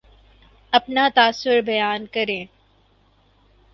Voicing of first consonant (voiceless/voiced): voiceless